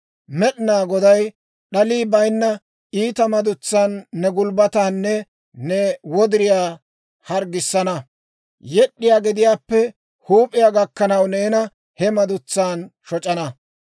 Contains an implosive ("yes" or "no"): yes